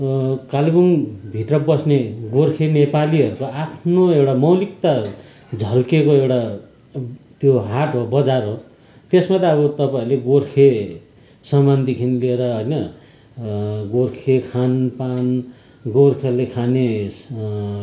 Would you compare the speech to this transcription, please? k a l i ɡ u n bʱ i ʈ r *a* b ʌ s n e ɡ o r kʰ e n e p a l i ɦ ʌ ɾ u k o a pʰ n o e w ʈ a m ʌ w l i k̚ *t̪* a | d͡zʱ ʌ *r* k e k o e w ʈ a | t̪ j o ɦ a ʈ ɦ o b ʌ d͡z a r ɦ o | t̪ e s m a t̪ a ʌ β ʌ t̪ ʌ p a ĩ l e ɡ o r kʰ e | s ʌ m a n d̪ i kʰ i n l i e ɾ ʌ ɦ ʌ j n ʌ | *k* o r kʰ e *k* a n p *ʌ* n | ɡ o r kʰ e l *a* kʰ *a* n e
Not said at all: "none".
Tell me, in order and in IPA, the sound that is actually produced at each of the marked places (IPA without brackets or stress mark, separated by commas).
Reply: ʌ, t̪, l, ɡ, kʰ, a, e, a